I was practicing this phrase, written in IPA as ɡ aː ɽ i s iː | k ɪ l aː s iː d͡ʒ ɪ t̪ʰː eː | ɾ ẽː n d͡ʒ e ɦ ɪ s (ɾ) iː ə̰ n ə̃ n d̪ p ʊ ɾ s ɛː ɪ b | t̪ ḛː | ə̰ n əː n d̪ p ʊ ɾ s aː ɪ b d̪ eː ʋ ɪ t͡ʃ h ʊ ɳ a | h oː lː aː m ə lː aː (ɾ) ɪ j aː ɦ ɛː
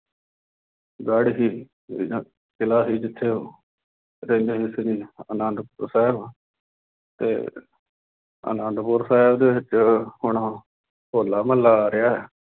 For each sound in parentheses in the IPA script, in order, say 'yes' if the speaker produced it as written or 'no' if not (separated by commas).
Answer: yes, yes